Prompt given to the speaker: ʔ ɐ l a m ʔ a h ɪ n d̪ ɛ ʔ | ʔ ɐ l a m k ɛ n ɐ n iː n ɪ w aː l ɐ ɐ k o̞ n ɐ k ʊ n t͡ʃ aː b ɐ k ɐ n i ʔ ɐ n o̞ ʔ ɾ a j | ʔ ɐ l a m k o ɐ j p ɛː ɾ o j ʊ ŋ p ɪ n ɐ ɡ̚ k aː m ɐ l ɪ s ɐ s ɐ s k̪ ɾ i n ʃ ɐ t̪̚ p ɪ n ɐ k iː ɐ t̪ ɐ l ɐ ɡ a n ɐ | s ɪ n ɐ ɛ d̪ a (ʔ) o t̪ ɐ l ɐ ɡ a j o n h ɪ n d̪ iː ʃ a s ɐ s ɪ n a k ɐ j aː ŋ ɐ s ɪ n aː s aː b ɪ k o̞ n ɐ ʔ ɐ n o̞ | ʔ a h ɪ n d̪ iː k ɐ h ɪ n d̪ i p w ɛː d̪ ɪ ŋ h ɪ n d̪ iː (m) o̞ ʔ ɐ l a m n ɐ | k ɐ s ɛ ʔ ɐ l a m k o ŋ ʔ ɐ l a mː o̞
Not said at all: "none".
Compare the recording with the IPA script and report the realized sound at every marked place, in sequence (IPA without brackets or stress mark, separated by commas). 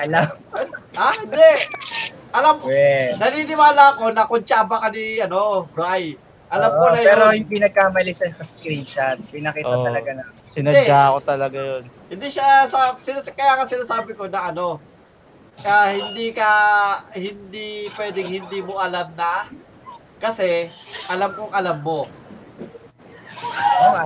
k, m